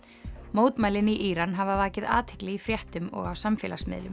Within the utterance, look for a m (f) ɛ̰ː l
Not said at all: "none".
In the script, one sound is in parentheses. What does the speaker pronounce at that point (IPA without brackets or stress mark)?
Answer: f